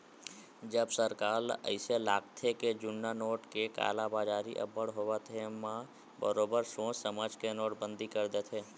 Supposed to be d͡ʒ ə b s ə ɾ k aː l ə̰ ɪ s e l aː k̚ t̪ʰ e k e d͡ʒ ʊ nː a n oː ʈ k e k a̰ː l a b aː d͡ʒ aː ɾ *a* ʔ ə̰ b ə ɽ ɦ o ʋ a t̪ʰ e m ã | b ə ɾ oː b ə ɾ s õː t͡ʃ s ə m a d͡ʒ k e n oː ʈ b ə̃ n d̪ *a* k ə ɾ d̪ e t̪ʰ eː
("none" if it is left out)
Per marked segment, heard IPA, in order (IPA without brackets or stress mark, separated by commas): i, i